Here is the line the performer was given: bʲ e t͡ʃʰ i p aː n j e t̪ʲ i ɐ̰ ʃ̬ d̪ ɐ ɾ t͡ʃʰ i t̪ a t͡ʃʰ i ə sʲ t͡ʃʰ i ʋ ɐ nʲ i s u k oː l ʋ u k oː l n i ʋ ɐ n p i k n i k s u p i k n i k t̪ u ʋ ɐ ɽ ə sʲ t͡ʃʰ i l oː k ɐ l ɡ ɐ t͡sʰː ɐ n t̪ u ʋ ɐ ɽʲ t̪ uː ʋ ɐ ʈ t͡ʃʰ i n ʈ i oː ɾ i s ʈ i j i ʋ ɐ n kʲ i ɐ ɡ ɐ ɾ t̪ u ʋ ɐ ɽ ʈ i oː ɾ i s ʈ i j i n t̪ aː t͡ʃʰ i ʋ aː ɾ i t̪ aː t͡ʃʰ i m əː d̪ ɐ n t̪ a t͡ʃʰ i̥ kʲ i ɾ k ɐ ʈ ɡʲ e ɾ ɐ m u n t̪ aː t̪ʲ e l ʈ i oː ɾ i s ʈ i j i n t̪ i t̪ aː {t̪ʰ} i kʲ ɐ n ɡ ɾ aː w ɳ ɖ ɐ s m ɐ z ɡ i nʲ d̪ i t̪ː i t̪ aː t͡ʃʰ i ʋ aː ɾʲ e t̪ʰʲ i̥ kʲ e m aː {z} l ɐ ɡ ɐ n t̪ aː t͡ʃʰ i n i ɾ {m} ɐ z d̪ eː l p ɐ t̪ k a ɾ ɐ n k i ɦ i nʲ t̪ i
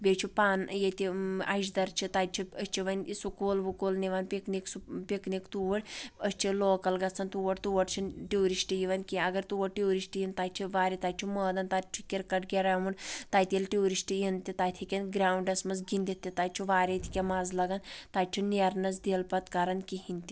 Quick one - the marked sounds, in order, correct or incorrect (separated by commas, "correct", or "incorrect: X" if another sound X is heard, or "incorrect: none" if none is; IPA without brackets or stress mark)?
correct, correct, incorrect: n